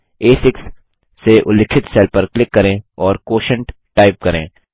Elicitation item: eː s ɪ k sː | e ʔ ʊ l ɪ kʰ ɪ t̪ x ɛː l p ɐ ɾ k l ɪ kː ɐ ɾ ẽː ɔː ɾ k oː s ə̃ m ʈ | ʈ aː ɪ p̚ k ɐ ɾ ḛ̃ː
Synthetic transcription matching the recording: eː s ɪ k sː | e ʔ ʊ l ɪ kʰ ɪ t̪ s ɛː l p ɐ ɾ k l ɪ kː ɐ ɾ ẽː ɔː ɾ k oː ʃ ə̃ ɳ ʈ | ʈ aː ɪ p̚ k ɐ ɾ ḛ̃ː